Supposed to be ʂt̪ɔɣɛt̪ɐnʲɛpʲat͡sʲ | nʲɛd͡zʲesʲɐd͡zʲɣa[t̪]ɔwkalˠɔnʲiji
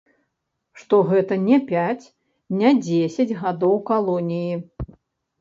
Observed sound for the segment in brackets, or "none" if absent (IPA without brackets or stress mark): d̪